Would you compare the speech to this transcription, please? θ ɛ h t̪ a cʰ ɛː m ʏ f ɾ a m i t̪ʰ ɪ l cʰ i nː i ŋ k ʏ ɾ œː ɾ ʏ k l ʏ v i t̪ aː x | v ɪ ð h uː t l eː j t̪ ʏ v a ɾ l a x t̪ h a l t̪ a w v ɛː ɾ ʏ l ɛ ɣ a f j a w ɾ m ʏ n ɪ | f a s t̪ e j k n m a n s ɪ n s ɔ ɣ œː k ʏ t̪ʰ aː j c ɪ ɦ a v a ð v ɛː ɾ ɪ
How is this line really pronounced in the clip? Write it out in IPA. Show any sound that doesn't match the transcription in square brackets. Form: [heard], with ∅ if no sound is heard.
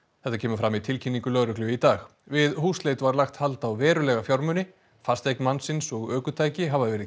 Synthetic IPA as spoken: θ ɛ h t̪ a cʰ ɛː m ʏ f ɾ a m i t̪ʰ ɪ l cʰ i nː i ŋ k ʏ [l] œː ɾ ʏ k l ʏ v i t̪ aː x | v ɪ ð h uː [s] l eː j t̪ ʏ v a ɾ l a x t̪ h a l t̪ a w v ɛː ɾ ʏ l ɛ ɣ a f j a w ɾ m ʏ n ɪ | f a s t̪ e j k n m a n s ɪ n s ɔ ɣ œː k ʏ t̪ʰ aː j c ɪ ɦ a v a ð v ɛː ɾ ɪ